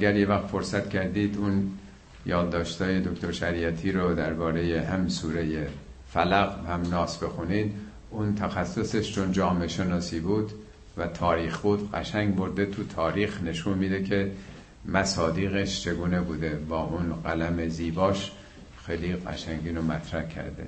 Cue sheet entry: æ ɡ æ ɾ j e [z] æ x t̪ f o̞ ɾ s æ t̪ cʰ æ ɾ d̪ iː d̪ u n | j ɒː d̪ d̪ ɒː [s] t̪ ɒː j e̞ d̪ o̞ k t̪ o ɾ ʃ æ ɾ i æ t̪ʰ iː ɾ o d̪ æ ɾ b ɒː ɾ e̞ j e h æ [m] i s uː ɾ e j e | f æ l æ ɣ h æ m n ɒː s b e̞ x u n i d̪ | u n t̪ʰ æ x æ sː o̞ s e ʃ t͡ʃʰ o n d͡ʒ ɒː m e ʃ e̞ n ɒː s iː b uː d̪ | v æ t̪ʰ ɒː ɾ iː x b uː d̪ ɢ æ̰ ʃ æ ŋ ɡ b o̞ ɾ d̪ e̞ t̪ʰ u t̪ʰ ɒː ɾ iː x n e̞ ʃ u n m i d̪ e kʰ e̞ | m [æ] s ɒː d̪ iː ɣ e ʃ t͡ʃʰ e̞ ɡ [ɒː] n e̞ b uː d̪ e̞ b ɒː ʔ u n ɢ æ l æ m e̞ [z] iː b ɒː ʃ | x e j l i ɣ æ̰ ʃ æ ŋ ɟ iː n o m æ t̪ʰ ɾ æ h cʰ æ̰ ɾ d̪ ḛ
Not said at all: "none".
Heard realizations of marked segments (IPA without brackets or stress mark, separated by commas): v, ʃ, m, æ, uː, z